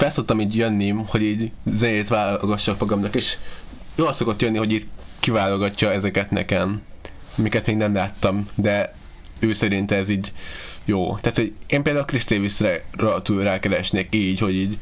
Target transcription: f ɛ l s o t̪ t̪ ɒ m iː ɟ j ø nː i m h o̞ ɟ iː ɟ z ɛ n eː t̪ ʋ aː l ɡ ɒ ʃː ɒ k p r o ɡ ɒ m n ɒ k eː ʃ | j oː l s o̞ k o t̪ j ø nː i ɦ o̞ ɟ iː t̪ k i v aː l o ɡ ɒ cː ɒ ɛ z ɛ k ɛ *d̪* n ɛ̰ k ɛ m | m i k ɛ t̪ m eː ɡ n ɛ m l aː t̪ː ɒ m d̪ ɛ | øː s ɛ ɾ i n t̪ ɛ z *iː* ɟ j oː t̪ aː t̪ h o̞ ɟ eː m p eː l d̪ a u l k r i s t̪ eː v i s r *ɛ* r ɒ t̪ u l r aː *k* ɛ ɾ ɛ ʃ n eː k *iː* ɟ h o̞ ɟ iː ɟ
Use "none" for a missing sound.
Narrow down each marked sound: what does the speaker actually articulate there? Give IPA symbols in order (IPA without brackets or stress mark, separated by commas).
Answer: t̪, iː, ɛ, k, iː